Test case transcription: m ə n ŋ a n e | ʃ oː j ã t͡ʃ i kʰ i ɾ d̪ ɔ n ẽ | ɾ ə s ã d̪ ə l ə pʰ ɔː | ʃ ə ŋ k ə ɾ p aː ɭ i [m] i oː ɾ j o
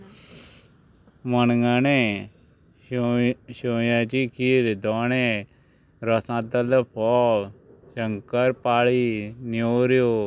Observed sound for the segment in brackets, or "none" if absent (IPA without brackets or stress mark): n